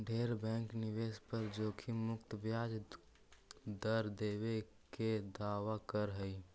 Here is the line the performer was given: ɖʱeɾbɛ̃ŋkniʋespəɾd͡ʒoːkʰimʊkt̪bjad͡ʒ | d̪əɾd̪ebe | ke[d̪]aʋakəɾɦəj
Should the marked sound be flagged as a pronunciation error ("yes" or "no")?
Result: no